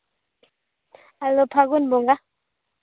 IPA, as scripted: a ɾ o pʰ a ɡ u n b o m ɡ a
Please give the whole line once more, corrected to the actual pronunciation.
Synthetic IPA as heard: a l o pʰ a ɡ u n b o ŋ ɡ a